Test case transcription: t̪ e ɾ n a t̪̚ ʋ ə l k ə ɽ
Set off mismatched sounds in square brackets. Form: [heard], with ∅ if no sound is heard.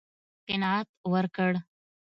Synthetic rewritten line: t̪ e [∅] n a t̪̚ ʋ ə [ɾ] k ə ɽ